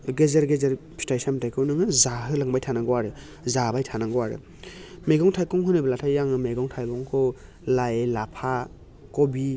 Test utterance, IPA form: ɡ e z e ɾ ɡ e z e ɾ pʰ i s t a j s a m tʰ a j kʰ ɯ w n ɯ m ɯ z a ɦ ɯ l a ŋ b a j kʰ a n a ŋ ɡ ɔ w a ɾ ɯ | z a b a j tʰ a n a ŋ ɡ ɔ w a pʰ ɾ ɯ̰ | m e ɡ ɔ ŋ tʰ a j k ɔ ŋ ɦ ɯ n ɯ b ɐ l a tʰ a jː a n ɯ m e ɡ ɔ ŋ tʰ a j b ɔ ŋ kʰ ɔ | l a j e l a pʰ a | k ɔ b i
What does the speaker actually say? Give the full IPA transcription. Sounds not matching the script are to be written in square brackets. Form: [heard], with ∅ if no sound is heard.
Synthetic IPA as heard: ɡ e z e ɾ ɡ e z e ɾ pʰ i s t a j s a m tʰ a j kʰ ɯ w n ɯ [ŋ] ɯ z a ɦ ɯ l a ŋ b a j [tʰ] a n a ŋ ɡ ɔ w a ɾ ɯ | z a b a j tʰ a n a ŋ ɡ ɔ w a [∅] ɾ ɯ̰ | m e ɡ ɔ ŋ tʰ a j k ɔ ŋ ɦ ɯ n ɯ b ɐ l a tʰ a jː a [ŋ] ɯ m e ɡ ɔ ŋ tʰ a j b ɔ ŋ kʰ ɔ | l a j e l a pʰ a | k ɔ b i